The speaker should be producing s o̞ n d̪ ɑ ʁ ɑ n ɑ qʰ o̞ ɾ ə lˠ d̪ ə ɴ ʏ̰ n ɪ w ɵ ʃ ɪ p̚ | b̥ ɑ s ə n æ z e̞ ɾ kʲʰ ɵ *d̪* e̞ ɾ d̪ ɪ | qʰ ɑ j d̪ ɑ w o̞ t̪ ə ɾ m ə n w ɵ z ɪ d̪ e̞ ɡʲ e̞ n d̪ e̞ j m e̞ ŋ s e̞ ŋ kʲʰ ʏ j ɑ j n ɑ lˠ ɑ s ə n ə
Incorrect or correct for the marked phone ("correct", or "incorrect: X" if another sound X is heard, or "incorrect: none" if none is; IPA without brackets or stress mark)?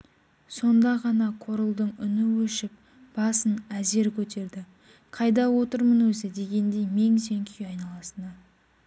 incorrect: t̪